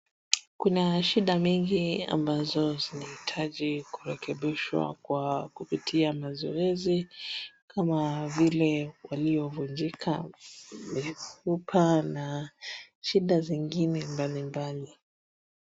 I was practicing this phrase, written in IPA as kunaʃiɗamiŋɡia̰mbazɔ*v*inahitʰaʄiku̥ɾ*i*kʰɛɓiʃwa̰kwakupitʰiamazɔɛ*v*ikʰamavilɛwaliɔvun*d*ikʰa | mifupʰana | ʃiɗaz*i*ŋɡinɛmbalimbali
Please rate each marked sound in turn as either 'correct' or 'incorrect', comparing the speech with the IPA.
incorrect, incorrect, incorrect, incorrect, correct

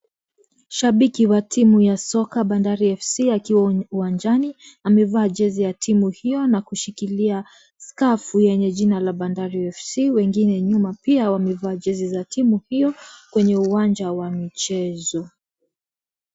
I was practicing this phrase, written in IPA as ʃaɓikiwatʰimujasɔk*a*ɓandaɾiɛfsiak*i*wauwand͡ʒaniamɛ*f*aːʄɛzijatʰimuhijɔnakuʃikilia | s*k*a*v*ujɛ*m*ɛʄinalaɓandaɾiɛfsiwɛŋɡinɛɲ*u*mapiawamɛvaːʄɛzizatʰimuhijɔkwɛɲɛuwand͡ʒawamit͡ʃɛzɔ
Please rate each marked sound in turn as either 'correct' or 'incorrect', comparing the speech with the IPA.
correct, correct, incorrect, correct, incorrect, incorrect, correct

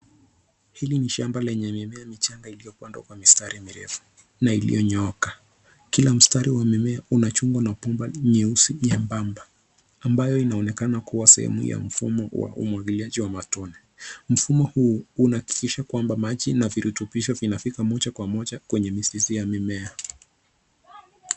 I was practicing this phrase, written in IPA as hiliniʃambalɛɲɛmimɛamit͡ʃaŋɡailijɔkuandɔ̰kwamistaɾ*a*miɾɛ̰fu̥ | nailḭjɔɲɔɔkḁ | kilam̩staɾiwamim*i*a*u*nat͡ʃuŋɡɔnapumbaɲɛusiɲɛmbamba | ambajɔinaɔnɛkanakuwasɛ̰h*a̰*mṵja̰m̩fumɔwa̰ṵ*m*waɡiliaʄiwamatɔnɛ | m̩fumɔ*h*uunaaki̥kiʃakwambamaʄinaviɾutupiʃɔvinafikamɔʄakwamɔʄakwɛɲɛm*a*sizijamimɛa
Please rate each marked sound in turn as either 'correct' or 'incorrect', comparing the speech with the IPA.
incorrect, incorrect, correct, incorrect, correct, correct, incorrect

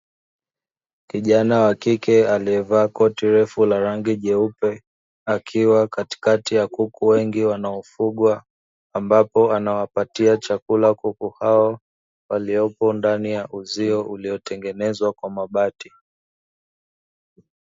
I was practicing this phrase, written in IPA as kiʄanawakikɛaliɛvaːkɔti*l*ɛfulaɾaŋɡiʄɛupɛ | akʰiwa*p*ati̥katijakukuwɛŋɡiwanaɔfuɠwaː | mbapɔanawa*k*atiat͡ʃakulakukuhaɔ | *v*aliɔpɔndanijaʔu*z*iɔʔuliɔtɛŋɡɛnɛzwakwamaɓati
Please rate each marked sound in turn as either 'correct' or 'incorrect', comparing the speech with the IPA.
incorrect, incorrect, incorrect, incorrect, correct

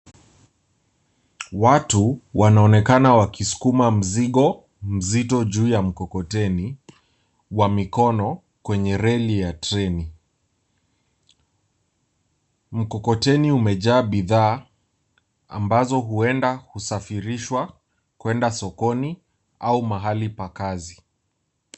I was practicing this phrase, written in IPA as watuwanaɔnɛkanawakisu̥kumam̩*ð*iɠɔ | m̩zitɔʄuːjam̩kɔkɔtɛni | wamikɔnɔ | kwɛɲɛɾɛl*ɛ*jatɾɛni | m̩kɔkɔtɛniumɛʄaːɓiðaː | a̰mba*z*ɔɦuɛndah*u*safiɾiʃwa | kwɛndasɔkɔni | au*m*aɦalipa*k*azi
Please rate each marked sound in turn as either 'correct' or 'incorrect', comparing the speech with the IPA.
incorrect, incorrect, correct, correct, correct, correct

